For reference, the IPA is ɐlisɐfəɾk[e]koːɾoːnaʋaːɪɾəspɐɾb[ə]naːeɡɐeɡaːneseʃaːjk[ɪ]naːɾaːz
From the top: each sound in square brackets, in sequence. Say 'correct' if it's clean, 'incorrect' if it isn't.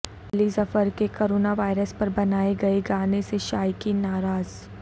correct, incorrect: ɐ, incorrect: i

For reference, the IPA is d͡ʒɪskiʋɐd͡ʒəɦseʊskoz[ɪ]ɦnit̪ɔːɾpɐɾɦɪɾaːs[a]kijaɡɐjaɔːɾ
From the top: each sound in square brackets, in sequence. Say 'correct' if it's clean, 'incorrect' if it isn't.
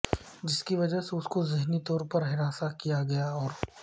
correct, correct

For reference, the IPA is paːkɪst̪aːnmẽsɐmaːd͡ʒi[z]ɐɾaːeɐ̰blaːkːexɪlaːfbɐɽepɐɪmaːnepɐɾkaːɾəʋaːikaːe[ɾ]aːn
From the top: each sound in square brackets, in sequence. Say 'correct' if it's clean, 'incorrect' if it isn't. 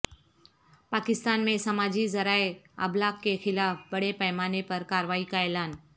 correct, incorrect: l

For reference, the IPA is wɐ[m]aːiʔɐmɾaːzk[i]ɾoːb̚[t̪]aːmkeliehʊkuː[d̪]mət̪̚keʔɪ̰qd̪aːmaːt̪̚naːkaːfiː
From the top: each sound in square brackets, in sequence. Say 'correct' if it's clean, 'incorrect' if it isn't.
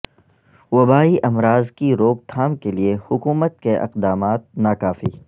incorrect: b, correct, incorrect: t̪ʰ, incorrect: none

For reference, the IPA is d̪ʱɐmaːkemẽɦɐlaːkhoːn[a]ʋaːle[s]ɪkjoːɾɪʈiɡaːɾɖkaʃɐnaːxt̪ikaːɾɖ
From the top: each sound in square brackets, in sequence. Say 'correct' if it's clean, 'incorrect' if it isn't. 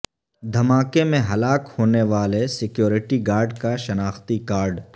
incorrect: e, correct

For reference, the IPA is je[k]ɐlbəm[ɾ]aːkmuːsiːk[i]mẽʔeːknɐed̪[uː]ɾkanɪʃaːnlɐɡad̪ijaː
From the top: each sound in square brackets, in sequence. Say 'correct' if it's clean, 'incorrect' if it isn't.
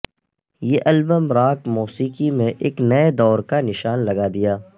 incorrect: ʔ, correct, correct, incorrect: ɔː

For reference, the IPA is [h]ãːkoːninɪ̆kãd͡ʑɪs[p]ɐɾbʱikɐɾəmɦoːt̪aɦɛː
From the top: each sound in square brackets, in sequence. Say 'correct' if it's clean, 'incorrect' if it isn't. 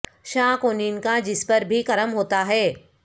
incorrect: ʃ, correct

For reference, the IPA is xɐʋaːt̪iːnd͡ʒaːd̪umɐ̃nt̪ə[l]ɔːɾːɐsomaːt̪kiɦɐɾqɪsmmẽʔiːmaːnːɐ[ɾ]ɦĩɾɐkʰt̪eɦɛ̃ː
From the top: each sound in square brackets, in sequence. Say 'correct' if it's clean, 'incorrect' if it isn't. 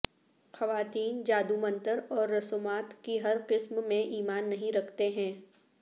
incorrect: ɾ, incorrect: none

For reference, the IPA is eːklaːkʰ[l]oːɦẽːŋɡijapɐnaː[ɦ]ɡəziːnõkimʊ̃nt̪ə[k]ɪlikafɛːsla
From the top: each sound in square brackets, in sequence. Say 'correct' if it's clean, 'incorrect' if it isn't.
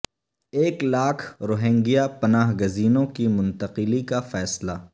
incorrect: ɾ, correct, incorrect: q

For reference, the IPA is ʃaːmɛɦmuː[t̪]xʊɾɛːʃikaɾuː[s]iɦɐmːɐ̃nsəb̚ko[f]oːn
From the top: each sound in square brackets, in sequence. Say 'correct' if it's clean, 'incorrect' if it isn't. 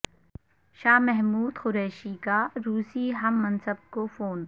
incorrect: d̪, correct, correct

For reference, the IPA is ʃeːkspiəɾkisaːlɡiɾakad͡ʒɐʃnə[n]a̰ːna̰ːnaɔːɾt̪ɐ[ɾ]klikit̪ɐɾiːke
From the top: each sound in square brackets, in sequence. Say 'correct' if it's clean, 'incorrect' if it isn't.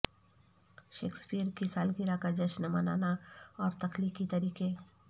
incorrect: m, incorrect: none

